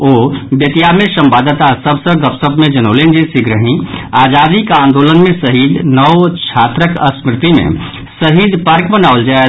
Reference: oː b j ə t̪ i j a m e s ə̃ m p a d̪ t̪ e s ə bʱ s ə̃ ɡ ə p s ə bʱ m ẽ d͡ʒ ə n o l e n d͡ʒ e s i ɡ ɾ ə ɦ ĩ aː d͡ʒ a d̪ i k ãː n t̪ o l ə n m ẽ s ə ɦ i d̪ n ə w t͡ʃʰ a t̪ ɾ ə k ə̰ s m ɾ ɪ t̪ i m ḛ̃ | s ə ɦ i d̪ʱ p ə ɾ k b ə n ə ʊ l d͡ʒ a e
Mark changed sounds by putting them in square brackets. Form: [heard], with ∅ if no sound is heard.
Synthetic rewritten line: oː b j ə t̪ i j a m e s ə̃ m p a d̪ t̪ [a] s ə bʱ s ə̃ ɡ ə p s ə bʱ m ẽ d͡ʒ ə n o l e n d͡ʒ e s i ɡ ɾ ə ɦ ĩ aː d͡ʒ a d̪ i k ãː n [d̪] o l ə n m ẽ s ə ɦ i d̪ n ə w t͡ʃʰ a t̪ ɾ ə k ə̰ s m ɾ ɪ t̪ i m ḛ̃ | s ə ɦ i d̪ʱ p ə ɾ k b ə n [a] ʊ l d͡ʒ a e